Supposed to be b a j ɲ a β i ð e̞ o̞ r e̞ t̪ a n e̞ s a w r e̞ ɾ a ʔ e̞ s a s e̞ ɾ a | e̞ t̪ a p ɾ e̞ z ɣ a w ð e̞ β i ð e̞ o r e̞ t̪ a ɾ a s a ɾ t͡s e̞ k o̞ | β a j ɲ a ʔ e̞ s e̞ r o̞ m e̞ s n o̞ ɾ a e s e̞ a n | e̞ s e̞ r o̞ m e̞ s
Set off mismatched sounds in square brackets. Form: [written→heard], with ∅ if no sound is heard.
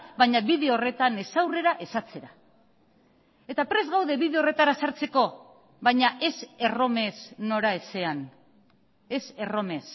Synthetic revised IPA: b a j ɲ a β i ð e̞ o̞ r e̞ t̪ a n e̞ s a w r e̞ ɾ a ʔ e̞ s a [s→t͡s] e̞ ɾ a | e̞ t̪ a p ɾ e̞ z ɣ a w ð e̞ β i ð e̞ o r e̞ t̪ a ɾ a s a ɾ t͡s e̞ k o̞ | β a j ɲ a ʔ e̞ s e̞ r o̞ m e̞ s n o̞ ɾ a e s e̞ a n | e̞ s e̞ r o̞ m e̞ s